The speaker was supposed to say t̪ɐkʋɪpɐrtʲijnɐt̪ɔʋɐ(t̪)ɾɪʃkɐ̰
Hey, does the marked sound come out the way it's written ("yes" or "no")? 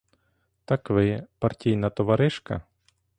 no